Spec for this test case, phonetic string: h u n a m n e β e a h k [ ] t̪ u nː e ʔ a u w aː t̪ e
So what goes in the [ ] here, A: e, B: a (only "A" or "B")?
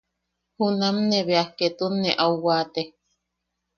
A